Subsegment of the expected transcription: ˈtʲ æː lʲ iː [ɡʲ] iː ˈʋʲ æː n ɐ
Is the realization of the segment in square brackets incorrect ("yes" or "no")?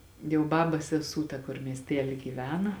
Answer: no